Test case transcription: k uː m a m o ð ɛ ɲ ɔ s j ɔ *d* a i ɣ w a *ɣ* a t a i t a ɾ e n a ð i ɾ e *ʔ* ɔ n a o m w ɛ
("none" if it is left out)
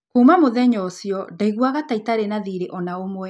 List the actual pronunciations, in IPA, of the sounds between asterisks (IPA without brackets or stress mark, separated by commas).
d, ɣ, ʔ